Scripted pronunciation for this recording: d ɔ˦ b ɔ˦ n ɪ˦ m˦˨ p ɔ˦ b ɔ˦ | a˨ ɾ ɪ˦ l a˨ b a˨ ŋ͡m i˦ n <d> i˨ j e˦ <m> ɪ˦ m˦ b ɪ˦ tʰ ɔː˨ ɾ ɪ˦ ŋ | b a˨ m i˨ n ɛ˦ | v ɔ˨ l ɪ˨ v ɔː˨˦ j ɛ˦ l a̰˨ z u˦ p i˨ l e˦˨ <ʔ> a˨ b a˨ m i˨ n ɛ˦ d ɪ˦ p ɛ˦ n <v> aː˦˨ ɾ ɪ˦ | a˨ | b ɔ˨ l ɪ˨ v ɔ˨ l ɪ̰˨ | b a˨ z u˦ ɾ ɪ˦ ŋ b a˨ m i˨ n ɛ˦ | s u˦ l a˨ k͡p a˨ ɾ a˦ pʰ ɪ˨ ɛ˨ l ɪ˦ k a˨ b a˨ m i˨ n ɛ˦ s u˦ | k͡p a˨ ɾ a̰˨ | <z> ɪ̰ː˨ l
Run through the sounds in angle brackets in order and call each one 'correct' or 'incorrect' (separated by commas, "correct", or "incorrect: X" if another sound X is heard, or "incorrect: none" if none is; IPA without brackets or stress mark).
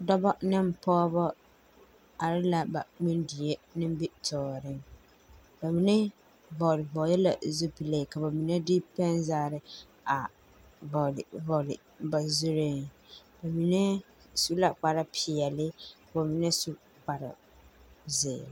correct, incorrect: n, incorrect: k, incorrect: z, correct